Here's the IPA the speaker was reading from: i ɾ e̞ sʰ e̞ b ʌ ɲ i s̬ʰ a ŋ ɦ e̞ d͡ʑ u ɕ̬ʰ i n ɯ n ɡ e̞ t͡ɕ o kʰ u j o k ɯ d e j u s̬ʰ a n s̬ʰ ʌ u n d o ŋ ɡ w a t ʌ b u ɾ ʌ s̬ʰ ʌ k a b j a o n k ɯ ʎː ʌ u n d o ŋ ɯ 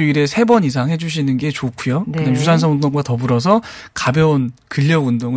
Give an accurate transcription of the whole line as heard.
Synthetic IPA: i ɾ e̞ sʰ e̞ b ʌ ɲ i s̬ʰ a ŋ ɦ e̞ d͡ʑ u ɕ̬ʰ i n ɯ n ɡ e̞ t͡ɕ o kʰ u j o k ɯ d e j u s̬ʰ a n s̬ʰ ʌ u n d o ŋ ɡ w a t ʌ b u ɾ ʌ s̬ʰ ʌ k a b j ʌ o n k ɯ ʎː ʌ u n d o ŋ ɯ